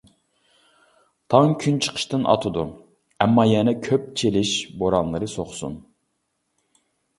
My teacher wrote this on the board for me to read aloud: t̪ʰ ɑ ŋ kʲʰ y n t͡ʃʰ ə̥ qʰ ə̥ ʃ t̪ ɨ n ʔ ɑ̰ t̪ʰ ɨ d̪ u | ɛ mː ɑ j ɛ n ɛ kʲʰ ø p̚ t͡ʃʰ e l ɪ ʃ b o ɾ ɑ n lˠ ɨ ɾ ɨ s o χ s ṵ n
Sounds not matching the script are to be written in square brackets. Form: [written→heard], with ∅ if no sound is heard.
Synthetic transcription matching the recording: t̪ʰ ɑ ŋ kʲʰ y n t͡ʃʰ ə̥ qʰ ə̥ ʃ t̪ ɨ n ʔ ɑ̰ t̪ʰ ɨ d̪ u | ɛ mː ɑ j ɛ n ɛ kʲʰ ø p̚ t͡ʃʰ e l ɪ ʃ b o ɾ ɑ n lˠ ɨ ɾ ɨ s o χ s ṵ n